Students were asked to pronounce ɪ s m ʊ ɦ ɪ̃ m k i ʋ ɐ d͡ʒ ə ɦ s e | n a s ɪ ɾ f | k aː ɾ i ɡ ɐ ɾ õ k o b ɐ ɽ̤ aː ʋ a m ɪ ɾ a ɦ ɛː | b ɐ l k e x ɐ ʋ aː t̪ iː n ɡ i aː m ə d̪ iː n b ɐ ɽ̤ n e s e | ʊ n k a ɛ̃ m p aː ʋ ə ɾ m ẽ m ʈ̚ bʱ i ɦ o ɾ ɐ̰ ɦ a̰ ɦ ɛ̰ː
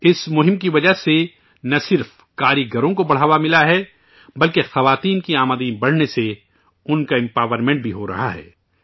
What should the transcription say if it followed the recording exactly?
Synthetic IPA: ɪ s m ʊ ɦ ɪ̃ m k i ʋ ɐ d͡ʒ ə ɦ s e | n ɐ s ɪ ɾ f | k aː ɾ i ɡ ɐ ɾ õ k o b ɐ ɽ̤ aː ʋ a m ɪ l a ɦ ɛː | b ɐ l k e x ɐ ʋ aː t̪ iː n k i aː m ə d̪ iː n b ɐ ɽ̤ n e s e | ʊ n k a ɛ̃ m p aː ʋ ə ɾ m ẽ ɳ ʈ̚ bʱ i ɦ o ɾ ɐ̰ ɦ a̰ ɦ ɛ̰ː